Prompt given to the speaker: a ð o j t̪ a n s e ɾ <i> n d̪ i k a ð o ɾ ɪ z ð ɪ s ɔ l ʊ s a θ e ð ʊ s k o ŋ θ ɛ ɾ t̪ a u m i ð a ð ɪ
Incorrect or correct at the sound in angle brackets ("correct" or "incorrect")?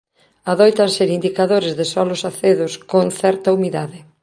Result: correct